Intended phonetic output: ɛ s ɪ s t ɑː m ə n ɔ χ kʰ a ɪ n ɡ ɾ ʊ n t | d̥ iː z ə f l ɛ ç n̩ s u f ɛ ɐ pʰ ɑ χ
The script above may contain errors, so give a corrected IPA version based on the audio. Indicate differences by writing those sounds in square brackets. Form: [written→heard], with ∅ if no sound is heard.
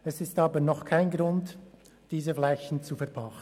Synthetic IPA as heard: ɛ s ɪ s t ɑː [m→b] ə n ɔ χ kʰ a ɪ n ɡ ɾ ʊ n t | d̥ iː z ə f l ɛ ç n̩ [s→t͡s] u f ɛ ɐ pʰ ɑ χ